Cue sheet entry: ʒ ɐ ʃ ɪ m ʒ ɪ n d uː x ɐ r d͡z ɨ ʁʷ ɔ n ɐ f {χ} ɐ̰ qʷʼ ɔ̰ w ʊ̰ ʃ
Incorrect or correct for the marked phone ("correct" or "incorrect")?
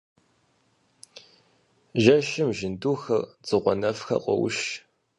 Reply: incorrect